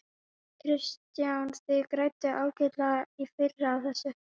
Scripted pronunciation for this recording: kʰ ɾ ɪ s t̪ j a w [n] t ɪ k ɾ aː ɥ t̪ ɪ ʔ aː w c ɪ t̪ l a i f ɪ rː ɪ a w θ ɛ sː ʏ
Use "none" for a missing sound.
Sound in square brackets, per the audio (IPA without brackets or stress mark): n